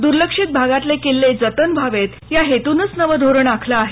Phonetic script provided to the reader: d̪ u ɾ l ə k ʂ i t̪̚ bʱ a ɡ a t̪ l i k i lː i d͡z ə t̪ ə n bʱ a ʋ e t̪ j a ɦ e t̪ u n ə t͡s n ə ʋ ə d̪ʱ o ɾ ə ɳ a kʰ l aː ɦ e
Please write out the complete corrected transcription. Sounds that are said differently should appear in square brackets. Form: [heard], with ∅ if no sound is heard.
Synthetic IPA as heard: d̪ u ɾ l ə k ʂ i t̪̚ bʱ a ɡ a t̪ l [e] k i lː [e] d͡z ə t̪ ə n bʱ a ʋ e t̪ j a ɦ e t̪ u n ə t͡s n ə ʋ ə d̪ʱ o ɾ ə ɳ a kʰ l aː ɦ e